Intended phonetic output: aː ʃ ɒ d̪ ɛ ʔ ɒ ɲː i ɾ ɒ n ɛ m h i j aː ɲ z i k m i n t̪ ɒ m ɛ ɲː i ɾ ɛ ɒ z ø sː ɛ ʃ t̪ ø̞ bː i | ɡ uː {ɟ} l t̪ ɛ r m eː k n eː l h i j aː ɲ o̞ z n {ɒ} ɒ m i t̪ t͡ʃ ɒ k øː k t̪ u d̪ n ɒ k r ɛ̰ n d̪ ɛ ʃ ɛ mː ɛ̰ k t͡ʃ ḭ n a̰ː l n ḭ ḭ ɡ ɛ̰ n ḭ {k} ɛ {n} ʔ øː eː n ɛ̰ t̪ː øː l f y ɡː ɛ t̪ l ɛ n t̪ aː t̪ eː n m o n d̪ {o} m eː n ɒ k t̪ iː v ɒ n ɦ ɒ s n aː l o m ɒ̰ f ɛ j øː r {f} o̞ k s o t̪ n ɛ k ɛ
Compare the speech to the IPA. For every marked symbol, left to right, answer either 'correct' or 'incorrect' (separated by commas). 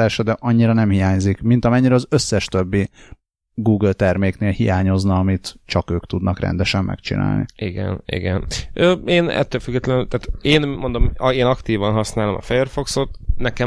incorrect, correct, incorrect, correct, correct, correct